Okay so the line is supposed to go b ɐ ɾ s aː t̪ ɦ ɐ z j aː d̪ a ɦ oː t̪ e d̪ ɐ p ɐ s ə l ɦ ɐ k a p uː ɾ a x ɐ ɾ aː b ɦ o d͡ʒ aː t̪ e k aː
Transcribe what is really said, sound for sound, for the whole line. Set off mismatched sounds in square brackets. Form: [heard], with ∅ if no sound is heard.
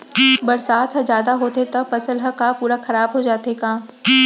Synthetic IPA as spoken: b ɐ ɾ s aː t̪ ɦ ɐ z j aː d̪ a ɦ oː t̪ e [t̪] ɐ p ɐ s ə l ɦ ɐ k a p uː ɾ a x ɐ ɾ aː b ɦ o d͡ʒ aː t̪ e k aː

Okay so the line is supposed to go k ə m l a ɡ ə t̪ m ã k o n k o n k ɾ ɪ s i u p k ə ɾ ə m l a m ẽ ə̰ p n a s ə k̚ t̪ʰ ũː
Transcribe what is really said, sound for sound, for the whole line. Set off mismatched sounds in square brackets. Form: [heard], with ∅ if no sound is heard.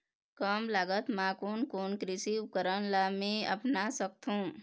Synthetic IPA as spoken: k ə m l a ɡ ə t̪ m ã k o n k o n k ɾ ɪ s i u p k ə ɾ ə [n] l a m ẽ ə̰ p n a s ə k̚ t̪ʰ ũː

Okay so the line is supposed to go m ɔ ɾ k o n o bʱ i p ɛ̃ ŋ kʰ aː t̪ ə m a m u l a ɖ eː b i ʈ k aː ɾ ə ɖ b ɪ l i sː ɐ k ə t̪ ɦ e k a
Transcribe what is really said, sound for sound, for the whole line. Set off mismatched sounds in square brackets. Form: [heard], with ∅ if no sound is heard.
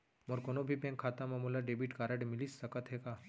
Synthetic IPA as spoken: m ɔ ɾ k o n o bʱ i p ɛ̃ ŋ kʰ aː t̪ [a] m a m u l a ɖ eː b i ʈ k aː ɾ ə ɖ [m] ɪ l i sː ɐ k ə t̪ ɦ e k a

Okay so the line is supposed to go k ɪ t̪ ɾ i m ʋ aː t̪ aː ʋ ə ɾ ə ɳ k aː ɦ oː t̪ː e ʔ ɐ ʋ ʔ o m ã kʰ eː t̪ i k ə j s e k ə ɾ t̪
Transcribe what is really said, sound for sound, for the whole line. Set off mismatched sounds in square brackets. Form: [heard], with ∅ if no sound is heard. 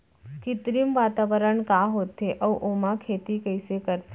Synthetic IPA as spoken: k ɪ t̪ ɾ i m ʋ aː t̪ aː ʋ ə ɾ ə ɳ k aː ɦ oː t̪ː e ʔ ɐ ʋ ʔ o m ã kʰ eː t̪ i k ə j s e k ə ɾ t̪

